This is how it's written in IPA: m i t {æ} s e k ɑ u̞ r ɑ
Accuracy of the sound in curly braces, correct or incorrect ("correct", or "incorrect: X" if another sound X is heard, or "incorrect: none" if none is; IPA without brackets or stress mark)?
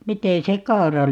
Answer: incorrect: e